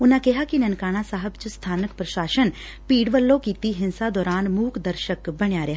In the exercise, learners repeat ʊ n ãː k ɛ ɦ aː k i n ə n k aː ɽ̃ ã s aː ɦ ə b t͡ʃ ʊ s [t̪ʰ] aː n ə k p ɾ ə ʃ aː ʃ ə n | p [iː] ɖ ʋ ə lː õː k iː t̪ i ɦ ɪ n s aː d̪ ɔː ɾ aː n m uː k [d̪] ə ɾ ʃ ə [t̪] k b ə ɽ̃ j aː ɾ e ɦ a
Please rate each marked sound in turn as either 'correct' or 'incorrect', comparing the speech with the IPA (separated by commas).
correct, correct, correct, incorrect